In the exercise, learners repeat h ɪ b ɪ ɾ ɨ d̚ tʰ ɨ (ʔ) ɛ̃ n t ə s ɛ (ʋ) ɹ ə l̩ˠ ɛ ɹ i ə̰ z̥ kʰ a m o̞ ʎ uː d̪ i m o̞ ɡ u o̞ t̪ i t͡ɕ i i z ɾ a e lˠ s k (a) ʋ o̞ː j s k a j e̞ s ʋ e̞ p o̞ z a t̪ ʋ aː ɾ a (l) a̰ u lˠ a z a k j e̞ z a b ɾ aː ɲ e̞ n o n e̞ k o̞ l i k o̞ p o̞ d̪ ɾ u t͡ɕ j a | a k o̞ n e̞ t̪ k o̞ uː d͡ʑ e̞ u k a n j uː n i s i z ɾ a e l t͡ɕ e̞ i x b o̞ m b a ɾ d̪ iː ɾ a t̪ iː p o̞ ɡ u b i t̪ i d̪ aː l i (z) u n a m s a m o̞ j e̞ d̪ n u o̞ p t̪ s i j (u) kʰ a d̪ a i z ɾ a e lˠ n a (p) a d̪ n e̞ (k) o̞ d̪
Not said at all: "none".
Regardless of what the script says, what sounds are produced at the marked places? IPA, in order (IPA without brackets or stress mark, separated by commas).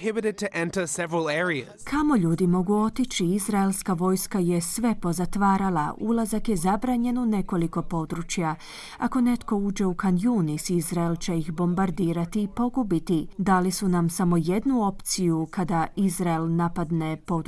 ʔ, v, a, l, s, u, p, p